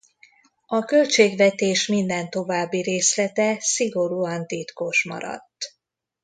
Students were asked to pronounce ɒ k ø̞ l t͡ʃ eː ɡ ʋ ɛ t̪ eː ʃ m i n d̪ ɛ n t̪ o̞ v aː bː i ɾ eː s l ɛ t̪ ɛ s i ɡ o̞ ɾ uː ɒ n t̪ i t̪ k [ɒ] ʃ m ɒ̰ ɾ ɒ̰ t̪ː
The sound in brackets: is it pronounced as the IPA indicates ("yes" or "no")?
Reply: no